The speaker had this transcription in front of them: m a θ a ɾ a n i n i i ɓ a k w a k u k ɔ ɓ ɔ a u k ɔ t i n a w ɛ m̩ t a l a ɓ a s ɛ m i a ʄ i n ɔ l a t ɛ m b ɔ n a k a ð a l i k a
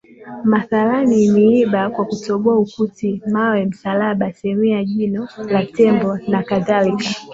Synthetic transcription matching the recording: m a θ a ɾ a n i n i i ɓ a k w a k u t ɔ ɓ ɔ a u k u t i m a w ɛ m̩ s a l a ɓ a s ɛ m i a ʄ i n ɔ l a t ɛ m b ɔ n a k a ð a l i k a